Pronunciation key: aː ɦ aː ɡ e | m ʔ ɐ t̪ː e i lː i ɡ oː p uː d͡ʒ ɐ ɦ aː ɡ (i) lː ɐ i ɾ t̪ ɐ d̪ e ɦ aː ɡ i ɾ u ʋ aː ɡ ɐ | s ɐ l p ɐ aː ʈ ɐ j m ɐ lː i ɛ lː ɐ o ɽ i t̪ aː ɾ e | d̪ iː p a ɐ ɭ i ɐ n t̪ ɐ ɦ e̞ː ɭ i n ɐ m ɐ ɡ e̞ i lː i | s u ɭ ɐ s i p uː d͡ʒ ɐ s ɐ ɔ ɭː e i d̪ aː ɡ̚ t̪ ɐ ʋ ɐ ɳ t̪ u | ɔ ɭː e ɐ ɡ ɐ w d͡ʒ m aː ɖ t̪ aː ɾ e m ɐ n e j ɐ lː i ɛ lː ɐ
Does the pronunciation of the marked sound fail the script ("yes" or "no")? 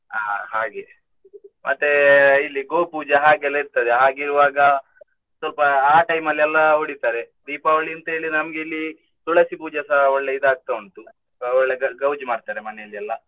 yes